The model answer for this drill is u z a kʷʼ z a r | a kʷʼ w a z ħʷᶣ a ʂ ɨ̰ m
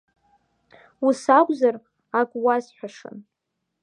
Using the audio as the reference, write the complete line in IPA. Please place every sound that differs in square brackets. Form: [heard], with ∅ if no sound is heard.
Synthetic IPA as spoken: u [s] a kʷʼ z a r | a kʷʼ w a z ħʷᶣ a ʂ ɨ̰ [n]